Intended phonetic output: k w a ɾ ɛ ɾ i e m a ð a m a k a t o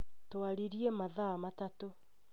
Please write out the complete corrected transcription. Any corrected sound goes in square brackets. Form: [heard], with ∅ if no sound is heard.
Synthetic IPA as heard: [t] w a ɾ [i] ɾ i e m a ð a m a [t] a t o